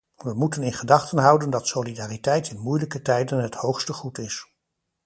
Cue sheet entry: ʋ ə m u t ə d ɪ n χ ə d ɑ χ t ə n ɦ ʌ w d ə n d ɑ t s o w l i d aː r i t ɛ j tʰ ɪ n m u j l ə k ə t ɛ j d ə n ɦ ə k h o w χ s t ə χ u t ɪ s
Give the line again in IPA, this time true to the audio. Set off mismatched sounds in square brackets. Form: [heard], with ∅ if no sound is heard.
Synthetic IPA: ʋ ə m u t ə [n] ɪ n χ ə d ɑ χ t ə n ɦ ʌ w d ə n d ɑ t s o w l i d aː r i t ɛ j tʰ ɪ n m u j l ə k ə t ɛ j d ə n ɦ ə [t] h o w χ s t ə χ u t ɪ s

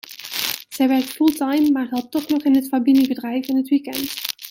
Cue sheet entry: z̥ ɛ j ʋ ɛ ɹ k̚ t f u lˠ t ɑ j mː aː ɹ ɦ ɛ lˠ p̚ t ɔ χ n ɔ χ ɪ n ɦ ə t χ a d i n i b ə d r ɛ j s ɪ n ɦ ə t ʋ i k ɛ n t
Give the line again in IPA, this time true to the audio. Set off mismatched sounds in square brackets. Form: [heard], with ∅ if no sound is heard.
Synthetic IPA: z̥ ɛ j ʋ ɛ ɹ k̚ t f u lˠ t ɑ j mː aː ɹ ɦ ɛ lˠ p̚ t ɔ χ n ɔ χ ɪ n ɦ ə t [f] a [b] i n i b ə d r ɛ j [f] ɪ n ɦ ə t ʋ i k ɛ n t

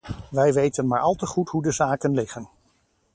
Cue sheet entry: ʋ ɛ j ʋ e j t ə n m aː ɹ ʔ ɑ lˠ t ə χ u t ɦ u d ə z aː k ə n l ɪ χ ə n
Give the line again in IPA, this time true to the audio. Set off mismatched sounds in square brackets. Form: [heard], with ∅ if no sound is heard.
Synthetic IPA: ʋ ɛ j ʋ e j t ə n m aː ɹ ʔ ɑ lˠ t ə χ u t ɦ u d ə z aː k ə n l ɪ χ ə n

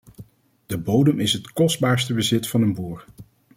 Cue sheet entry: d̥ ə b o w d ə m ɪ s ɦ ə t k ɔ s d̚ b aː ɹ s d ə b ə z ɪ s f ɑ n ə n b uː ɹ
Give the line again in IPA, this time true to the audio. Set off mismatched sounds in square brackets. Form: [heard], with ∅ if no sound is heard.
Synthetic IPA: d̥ ə b o w d ə m ɪ s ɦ ə t k ɔ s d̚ b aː ɹ s [t] ə b ə z ɪ [t] f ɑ n ə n b uː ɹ

